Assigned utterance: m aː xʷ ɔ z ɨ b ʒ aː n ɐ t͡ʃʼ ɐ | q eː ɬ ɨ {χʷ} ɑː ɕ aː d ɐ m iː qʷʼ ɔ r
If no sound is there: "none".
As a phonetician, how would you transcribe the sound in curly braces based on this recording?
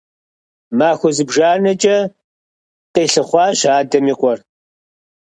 χʷ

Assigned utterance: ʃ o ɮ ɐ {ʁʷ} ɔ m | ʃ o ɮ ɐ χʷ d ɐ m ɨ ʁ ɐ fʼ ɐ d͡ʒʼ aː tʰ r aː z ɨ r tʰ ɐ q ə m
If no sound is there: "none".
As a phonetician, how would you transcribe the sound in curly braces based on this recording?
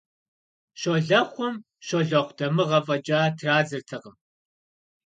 χʷ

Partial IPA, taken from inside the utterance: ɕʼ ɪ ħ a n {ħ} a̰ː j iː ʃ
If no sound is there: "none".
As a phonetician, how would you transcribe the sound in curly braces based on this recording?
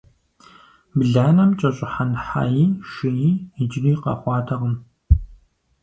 ħ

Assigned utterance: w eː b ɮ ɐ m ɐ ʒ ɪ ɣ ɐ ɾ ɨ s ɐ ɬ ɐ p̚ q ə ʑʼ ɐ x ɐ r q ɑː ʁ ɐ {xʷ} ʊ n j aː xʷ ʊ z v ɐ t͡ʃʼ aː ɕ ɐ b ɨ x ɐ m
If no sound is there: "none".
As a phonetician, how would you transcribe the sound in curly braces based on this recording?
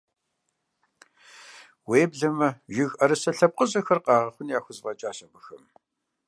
χʷ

